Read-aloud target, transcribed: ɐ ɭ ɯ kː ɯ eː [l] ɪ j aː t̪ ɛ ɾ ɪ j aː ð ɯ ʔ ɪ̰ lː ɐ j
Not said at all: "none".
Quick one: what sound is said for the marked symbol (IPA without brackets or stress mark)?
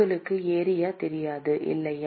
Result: ɾ